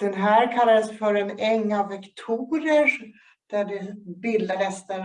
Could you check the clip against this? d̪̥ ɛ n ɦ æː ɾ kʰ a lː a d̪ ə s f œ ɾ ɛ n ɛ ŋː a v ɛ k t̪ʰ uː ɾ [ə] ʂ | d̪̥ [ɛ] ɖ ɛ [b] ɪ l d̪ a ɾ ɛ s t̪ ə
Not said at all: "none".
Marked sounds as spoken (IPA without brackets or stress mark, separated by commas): ə, æ, b